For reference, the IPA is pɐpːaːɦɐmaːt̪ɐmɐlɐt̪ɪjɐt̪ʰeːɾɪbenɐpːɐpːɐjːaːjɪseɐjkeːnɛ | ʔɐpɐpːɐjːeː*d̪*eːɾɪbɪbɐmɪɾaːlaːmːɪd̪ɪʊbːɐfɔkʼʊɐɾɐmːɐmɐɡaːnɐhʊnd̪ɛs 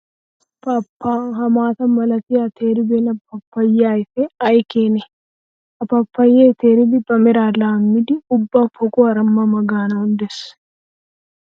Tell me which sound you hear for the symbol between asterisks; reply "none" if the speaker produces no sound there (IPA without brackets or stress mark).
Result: t̪